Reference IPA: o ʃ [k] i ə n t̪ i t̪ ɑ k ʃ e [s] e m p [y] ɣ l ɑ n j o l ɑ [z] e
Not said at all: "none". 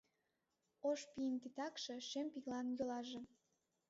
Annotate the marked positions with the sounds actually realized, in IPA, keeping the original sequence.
p, ʃ, i, ʒ

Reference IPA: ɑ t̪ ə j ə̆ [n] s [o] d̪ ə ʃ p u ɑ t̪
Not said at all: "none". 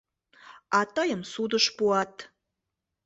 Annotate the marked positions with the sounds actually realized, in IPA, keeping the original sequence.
m, u

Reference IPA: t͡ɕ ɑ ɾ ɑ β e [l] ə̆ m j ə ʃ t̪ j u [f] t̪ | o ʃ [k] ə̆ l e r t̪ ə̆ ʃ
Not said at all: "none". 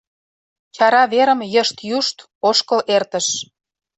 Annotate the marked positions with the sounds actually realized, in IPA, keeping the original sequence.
ɾ, ʃ, k

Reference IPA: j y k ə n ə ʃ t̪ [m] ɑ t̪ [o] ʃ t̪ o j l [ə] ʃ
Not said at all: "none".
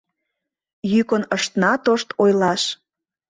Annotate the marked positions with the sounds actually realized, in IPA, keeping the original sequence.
n, o, ɑ

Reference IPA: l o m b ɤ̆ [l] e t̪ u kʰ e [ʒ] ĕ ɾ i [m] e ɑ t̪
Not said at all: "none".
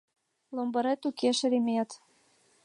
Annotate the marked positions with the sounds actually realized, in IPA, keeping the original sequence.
ɾ, ʃ, m

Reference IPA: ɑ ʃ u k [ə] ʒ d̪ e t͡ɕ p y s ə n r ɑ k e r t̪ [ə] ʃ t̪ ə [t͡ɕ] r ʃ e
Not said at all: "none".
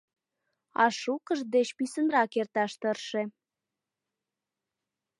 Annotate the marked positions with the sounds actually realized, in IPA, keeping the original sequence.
ə, ɑ, none

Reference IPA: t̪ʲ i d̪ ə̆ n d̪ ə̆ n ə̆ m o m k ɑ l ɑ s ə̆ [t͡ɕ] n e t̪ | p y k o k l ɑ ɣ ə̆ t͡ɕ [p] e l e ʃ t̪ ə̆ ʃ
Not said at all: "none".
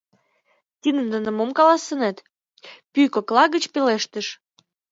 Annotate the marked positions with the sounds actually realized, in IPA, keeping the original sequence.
none, p

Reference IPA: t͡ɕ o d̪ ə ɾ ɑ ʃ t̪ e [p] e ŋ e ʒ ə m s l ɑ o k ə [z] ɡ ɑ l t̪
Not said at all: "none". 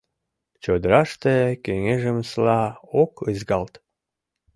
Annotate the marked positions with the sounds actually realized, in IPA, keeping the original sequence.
k, z

